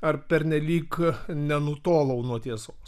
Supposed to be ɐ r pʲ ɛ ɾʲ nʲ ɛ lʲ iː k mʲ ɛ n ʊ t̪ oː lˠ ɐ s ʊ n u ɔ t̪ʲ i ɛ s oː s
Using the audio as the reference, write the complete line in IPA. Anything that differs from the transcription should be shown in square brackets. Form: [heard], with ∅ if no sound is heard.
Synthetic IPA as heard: ɐ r pʲ ɛ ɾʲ nʲ ɛ lʲ iː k [nʲ] ɛ n ʊ t̪ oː lˠ ɐ [∅] ʊ n u ɔ t̪ʲ i ɛ s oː s